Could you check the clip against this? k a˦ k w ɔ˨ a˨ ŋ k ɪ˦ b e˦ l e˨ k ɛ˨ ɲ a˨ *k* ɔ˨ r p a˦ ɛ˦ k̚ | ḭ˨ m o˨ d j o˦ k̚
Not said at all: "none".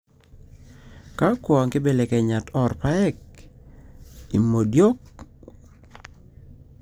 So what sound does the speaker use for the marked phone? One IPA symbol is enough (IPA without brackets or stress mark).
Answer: t